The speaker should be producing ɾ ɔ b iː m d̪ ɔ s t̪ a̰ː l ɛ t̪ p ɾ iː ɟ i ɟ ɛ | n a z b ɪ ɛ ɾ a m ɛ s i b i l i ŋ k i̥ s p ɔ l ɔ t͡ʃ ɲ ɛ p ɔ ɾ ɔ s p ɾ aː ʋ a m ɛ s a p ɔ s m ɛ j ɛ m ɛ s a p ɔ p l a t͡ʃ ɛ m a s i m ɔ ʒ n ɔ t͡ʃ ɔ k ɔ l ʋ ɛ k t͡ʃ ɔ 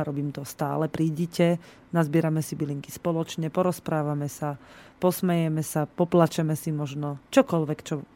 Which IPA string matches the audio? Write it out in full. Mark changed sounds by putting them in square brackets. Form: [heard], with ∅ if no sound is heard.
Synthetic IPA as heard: ɾ ɔ b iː m [t̪] ɔ s t̪ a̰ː l ɛ [∅] p ɾ iː ɟ i [c] ɛ | n a z b ɪ ɛ ɾ a m ɛ s i b i l i ŋ k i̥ s p ɔ l ɔ t͡ʃ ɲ ɛ p ɔ ɾ ɔ s p ɾ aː ʋ a m ɛ s a p ɔ s m ɛ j ɛ m ɛ s a p ɔ p l a t͡ʃ ɛ m [ɛ] s i m ɔ ʒ n ɔ t͡ʃ ɔ k ɔ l ʋ ɛ k t͡ʃ ɔ